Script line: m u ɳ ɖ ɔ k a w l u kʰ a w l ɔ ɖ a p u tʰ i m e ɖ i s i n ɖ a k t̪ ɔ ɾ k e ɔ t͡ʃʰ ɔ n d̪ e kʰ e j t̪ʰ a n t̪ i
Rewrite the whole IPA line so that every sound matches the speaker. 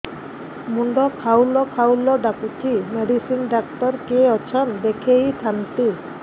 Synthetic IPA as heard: m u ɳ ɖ ɔ kʰ a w l ɔ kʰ a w l ɔ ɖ a k u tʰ i m e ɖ i s i n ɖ a k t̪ ɔ ɾ k e ɔ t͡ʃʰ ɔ n d̪ e kʰ e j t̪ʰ a n t̪ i